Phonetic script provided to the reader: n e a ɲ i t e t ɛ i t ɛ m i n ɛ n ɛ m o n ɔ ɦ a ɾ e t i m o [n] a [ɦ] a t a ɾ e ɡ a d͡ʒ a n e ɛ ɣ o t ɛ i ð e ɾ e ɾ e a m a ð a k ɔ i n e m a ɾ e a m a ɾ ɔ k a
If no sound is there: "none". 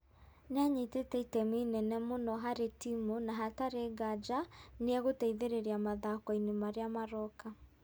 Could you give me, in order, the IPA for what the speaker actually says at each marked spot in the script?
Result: n, ɦ

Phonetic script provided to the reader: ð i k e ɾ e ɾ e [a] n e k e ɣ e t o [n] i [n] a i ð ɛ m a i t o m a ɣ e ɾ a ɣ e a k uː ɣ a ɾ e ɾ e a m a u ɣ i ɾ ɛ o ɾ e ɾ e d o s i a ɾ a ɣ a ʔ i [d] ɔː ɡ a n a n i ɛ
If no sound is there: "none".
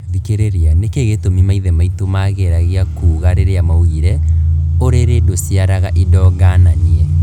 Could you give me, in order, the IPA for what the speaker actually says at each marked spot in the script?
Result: a, m, m, d

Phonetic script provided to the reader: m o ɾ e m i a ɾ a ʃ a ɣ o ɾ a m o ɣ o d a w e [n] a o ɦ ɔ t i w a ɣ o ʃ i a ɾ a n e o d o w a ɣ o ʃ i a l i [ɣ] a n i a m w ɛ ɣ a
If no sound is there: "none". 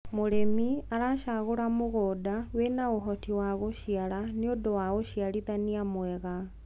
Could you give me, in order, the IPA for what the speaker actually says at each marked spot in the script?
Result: n, ð

